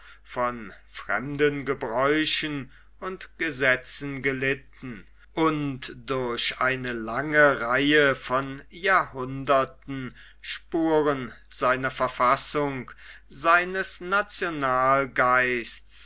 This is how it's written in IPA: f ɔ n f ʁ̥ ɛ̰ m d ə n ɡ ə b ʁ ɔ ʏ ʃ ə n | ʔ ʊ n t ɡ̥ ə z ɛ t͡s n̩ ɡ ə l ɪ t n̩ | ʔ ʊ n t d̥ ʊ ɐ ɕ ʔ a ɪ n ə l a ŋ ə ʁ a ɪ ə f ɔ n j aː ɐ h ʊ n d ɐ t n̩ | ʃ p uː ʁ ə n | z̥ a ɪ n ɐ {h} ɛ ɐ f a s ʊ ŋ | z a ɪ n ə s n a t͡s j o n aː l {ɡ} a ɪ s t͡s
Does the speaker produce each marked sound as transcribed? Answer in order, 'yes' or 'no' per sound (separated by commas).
no, yes